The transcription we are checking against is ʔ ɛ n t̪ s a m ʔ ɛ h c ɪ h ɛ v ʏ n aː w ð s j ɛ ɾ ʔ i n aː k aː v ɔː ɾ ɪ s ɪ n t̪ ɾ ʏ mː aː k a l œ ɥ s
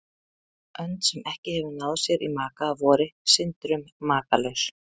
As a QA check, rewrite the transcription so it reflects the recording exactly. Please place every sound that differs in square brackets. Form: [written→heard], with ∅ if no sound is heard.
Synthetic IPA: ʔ [ɛ→œ] n t̪ s [a→ɛ] m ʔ ɛ h c ɪ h ɛ v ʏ n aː w ð s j ɛ ɾ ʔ i [n→m] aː k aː v ɔː ɾ ɪ s ɪ n t̪ ɾ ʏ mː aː k a l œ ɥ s